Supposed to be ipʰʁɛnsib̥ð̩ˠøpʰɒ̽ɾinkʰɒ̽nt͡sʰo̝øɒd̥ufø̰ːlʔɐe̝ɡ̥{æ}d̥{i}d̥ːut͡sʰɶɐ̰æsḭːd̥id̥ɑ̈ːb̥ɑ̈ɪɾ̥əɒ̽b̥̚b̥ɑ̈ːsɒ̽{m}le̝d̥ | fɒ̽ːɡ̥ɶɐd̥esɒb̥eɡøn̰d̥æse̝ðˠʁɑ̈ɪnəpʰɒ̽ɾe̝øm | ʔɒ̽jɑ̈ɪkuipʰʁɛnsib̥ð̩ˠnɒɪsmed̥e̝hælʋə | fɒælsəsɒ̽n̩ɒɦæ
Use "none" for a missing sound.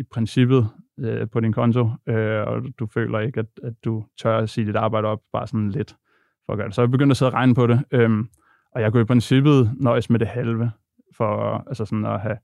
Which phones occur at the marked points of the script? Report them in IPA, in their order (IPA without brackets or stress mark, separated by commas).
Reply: æ, æ, n